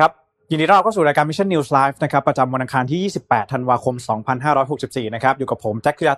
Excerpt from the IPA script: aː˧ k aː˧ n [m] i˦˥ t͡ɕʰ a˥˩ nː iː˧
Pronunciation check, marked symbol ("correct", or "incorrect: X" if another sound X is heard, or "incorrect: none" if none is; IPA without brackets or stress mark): correct